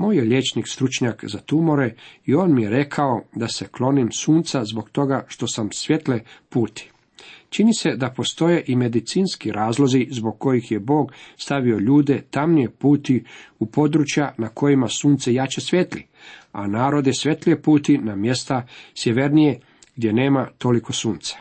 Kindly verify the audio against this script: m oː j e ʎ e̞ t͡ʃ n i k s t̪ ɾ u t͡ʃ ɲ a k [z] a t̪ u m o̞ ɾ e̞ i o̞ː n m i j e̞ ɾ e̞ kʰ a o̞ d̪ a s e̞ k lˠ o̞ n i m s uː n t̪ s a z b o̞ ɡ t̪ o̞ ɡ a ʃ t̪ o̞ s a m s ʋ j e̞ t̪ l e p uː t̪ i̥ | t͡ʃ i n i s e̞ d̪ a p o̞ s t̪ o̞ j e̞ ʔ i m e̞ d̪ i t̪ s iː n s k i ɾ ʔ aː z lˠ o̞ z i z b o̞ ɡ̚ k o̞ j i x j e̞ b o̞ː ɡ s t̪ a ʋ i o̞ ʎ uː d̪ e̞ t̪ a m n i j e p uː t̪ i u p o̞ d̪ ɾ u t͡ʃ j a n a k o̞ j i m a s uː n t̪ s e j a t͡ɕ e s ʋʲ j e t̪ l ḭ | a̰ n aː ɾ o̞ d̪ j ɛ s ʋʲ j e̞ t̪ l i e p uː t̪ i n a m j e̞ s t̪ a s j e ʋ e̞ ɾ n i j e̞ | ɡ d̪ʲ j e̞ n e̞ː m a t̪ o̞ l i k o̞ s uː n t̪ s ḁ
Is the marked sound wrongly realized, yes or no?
no